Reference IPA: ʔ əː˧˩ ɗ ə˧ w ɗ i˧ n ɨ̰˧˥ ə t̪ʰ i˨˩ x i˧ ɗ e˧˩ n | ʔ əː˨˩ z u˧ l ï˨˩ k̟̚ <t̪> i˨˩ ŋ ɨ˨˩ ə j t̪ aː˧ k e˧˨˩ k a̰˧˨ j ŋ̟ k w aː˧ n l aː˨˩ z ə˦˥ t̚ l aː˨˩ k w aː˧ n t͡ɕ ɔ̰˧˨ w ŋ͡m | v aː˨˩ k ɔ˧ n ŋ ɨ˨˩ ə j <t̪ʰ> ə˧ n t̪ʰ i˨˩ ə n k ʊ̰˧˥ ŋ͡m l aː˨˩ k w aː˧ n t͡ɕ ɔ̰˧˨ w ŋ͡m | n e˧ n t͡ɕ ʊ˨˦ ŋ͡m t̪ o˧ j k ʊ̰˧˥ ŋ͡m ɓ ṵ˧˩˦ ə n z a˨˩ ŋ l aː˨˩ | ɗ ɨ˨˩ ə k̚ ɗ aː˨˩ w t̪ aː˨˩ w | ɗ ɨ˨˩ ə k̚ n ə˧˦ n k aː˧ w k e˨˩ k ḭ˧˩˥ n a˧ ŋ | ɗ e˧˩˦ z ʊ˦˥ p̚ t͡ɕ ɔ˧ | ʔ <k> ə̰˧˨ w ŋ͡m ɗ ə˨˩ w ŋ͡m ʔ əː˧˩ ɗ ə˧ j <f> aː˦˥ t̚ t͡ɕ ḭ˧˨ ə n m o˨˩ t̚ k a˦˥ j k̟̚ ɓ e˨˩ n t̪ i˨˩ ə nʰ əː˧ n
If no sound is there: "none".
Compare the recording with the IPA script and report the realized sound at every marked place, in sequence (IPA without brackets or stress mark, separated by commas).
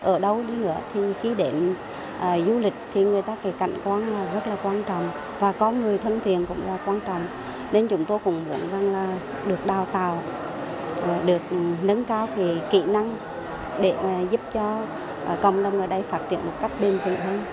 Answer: t̪ʰ, t̪ʰ, k, f